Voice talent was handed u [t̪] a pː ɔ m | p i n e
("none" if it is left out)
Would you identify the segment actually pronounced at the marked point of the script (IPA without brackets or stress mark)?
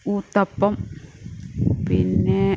t̪